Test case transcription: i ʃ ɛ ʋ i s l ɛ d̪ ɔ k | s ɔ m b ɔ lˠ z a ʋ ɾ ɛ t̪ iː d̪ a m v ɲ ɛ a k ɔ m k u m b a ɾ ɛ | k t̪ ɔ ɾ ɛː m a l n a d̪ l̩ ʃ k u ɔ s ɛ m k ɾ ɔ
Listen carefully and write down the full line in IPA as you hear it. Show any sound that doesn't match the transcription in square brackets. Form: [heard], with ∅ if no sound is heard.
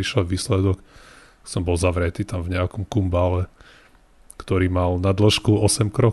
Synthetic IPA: i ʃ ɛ ʋ [iː] s l ɛ d̪ ɔ k | s ɔ m b ɔ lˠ z a ʋ ɾ ɛ t̪ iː [t̪] a m v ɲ ɛ a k ɔ m k u m b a [l] ɛ | k t̪ ɔ ɾ [iː] m a l n a d̪ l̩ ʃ k u ɔ s ɛ m k ɾ ɔ